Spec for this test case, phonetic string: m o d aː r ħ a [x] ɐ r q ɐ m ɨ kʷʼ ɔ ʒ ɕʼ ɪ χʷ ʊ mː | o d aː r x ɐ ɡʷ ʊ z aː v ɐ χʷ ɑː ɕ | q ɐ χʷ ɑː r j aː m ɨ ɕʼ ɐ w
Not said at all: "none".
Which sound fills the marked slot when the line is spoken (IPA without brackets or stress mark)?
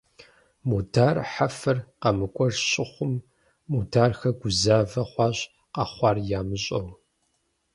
f